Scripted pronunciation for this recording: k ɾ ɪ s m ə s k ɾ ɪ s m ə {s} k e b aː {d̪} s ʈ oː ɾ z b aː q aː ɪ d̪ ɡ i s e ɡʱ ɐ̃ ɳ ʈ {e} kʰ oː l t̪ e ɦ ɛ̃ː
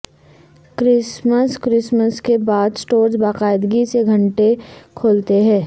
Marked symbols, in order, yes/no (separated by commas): yes, yes, yes